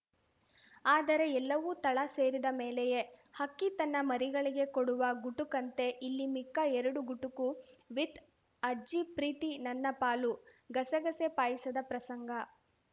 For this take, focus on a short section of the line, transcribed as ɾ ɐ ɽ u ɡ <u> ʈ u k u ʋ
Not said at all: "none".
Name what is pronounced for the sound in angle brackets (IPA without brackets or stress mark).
u